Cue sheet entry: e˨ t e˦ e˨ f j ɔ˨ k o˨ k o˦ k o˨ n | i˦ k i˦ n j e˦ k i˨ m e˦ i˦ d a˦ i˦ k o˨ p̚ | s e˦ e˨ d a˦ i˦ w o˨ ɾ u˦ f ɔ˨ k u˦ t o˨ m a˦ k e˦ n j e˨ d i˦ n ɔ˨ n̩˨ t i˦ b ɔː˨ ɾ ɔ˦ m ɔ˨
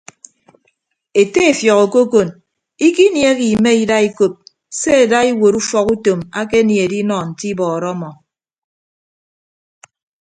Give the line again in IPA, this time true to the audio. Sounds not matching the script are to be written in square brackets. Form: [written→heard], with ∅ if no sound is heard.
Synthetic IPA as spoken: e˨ t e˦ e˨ f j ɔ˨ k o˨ k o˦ k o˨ n | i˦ k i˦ n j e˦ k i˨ m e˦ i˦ d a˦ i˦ k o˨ p̚ | s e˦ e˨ d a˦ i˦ w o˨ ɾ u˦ f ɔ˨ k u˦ t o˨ m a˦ k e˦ n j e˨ d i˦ n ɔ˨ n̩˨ t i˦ b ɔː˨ ɾ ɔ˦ m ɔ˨